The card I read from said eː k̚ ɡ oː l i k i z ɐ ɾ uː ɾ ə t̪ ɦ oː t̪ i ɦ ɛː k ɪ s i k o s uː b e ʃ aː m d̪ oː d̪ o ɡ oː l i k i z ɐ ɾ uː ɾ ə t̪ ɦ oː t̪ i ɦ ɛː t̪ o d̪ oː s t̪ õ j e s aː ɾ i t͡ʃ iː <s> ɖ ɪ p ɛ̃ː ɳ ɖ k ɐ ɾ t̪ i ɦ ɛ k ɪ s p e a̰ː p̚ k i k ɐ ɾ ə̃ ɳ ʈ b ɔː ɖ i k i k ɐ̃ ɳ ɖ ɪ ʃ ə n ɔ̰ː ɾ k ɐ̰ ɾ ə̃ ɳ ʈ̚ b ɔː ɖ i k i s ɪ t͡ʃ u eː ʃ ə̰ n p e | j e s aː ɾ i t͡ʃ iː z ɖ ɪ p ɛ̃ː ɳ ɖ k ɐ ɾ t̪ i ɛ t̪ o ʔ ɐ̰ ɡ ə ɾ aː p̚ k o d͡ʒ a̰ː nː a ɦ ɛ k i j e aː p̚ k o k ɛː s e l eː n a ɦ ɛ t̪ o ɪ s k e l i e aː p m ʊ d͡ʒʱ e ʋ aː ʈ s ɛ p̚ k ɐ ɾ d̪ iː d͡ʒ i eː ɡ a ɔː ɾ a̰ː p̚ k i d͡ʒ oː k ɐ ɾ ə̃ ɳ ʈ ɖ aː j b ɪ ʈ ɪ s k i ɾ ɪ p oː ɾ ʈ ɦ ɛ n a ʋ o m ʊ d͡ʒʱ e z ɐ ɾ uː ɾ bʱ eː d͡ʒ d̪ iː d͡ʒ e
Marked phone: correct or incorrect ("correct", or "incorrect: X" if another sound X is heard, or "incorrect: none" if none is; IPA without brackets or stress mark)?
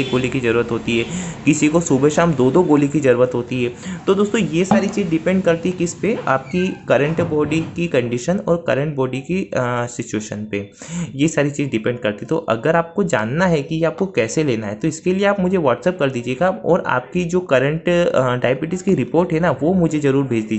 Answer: incorrect: z